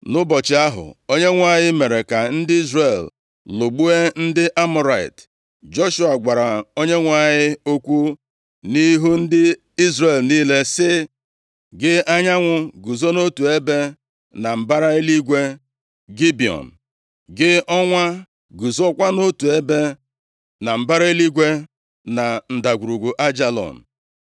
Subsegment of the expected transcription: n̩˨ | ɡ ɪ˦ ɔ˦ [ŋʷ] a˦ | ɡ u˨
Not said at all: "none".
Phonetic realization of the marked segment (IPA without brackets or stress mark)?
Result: ŋʷ